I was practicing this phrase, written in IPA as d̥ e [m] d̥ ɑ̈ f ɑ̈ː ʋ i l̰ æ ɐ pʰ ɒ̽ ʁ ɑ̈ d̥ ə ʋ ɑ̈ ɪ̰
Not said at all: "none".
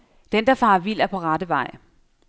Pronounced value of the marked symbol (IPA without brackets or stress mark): n